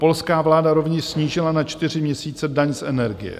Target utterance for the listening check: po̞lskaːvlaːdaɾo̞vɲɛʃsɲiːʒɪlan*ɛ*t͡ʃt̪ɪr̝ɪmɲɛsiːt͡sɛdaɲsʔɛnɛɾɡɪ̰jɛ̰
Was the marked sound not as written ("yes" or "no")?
yes